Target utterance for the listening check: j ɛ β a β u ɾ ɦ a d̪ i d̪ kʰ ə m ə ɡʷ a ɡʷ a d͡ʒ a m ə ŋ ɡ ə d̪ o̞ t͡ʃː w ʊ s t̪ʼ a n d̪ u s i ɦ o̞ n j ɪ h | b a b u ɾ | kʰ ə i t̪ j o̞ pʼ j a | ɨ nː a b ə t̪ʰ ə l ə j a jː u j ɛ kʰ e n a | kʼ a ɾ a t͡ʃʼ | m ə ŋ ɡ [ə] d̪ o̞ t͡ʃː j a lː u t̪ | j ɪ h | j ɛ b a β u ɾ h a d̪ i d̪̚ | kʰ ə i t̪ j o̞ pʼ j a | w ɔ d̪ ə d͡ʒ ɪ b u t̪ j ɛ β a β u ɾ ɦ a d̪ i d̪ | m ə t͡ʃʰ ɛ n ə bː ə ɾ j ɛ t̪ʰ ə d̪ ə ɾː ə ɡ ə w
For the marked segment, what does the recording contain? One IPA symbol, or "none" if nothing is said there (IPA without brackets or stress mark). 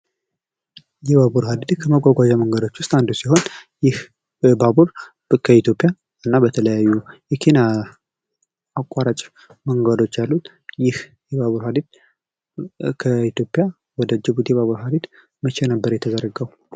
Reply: a